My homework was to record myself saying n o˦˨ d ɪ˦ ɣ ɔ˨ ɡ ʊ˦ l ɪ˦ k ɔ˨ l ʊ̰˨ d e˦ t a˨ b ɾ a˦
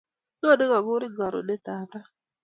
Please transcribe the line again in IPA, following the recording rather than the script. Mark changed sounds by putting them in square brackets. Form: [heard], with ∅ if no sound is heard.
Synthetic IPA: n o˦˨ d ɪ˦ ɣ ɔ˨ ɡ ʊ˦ [ɾ] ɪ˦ [ɡ] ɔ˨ [ɾ] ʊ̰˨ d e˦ t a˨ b ɾ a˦

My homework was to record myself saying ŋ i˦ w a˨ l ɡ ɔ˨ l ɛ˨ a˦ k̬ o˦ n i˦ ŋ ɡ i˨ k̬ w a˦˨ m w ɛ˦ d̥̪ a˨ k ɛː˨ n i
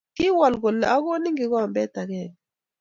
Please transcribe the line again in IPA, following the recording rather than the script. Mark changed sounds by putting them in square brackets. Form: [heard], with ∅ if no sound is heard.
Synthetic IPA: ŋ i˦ w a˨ l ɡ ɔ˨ l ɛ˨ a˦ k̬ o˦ n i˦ ŋ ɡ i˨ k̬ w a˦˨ m [b] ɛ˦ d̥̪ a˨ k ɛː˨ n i

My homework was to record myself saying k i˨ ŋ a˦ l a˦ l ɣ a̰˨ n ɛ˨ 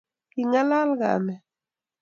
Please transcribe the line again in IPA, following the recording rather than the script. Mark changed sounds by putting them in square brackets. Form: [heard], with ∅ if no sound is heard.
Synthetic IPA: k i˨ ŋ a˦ l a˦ l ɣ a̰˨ [m] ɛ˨

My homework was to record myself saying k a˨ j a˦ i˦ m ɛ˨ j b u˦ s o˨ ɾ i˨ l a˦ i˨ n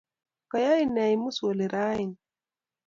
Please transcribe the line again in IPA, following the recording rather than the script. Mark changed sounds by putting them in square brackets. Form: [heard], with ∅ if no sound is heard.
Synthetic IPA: k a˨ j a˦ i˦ [n] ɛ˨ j [m] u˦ s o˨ [l] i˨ [ɾ] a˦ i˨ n

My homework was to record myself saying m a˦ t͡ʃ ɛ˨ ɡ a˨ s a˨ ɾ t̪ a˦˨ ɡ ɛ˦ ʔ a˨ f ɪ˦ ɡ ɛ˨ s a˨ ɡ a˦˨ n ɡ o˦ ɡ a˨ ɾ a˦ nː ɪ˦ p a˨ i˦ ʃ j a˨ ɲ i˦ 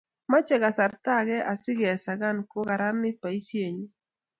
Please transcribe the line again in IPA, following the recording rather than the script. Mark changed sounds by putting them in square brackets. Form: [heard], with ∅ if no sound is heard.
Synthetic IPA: m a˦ t͡ʃ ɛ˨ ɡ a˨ s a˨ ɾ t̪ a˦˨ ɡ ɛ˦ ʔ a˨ [s] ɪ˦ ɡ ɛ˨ s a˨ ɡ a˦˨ n [k] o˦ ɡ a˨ ɾ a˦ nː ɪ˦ p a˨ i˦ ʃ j [e˨] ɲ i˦

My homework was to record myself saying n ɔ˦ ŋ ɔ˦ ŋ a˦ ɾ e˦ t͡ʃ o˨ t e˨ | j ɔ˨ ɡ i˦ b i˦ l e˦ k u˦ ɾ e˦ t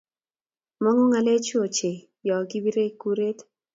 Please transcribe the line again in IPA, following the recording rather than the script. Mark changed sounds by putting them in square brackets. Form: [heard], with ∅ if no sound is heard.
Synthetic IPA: [m] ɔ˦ ŋ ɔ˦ ŋ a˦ [l] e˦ t͡ʃ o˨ [t͡ʃ] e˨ | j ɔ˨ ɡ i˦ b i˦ [ɾ] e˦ k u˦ ɾ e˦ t

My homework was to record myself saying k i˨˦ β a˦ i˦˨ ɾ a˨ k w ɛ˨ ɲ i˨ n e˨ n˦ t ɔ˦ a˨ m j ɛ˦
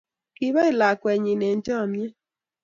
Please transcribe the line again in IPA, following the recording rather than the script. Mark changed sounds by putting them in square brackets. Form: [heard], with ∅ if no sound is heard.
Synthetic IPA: k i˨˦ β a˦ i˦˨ [l] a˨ k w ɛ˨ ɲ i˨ n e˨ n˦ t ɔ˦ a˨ m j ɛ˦

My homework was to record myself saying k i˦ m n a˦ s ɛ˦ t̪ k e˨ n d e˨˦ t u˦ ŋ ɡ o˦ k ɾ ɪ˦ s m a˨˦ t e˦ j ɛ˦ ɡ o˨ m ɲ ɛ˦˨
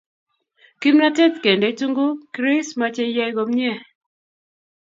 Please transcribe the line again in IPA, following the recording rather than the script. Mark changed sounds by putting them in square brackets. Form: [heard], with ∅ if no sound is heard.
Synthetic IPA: k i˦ m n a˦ [t] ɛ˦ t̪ k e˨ n d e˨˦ t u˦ ŋ ɡ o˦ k ɾ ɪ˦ s m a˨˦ [t͡ʃ] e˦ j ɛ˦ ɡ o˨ m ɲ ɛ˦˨

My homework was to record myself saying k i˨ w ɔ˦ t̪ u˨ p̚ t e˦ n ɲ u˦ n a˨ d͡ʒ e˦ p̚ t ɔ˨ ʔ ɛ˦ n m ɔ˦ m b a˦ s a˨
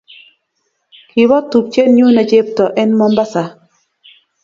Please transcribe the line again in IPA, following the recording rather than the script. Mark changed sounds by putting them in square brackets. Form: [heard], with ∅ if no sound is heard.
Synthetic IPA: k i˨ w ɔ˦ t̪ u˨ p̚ [t͡ʃ] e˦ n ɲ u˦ n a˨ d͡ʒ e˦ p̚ t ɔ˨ ʔ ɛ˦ n m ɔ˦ m b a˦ s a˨

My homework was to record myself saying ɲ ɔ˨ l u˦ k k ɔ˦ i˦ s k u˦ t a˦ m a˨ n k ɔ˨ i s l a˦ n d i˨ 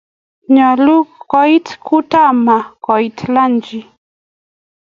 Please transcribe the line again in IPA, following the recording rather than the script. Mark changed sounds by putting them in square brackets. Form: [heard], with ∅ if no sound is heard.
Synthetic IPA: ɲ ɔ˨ l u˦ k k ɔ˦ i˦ [t] k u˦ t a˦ m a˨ [∅] k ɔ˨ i [t] l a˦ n [d͡ʒ] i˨

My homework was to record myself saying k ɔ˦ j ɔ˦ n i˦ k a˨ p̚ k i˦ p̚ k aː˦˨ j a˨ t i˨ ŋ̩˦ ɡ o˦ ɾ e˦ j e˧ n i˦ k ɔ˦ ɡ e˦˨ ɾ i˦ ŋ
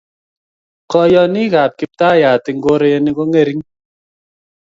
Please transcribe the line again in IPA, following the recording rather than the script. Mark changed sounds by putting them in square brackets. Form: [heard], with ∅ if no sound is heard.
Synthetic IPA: k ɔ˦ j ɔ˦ n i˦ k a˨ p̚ k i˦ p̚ [t] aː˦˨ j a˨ t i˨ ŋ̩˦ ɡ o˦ ɾ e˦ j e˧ n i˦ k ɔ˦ [ŋ] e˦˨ ɾ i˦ ŋ

